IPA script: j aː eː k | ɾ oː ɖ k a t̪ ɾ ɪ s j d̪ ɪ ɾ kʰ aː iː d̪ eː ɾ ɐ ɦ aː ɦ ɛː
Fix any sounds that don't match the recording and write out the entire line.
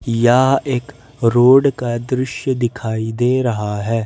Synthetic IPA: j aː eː k | ɾ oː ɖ k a d̪ ɾ ɪ ʃ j d̪ ɪ kʰ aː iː d̪ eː ɾ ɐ ɦ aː ɦ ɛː